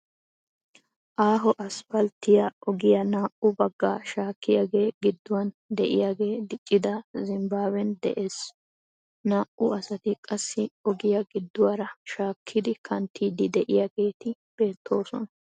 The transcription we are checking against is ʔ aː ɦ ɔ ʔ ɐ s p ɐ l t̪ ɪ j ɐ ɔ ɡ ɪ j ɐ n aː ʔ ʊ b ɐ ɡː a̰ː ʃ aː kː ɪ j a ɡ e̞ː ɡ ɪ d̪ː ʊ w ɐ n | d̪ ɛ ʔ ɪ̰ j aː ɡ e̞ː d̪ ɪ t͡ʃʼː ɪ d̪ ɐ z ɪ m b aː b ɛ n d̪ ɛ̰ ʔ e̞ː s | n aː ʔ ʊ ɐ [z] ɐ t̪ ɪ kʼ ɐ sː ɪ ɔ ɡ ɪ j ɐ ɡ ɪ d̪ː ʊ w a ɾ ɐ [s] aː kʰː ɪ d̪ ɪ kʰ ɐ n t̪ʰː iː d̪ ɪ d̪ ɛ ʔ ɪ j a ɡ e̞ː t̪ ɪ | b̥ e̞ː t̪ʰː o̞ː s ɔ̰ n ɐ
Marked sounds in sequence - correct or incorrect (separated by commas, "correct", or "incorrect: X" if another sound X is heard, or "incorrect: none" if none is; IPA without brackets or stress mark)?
incorrect: s, incorrect: ʃ